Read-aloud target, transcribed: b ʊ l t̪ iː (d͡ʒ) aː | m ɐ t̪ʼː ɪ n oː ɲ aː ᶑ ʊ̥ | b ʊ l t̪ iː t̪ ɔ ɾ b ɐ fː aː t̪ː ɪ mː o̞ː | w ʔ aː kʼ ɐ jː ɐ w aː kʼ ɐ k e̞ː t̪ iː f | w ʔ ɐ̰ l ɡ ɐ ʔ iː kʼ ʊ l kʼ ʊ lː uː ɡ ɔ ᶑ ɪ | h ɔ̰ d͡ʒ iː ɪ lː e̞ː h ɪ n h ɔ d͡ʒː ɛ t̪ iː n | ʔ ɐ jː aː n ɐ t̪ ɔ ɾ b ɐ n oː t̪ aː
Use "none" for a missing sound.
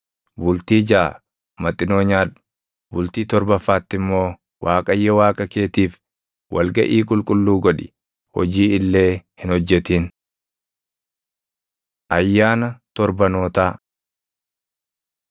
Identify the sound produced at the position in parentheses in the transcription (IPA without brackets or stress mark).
d͡ʒ